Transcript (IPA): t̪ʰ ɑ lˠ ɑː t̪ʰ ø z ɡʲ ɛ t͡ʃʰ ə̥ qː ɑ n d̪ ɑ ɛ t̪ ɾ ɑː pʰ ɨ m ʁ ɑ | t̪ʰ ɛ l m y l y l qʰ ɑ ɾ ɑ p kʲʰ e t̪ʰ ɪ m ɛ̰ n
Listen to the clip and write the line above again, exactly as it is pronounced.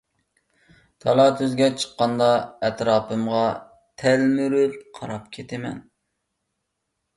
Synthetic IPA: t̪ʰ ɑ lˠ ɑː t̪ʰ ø z ɡʲ ɛ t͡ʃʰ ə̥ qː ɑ n d̪ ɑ ɛ t̪ ɾ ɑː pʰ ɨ m ʁ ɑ | t̪ʰ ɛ l m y ɾ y l qʰ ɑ ɾ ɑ p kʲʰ e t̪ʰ ɪ m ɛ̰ n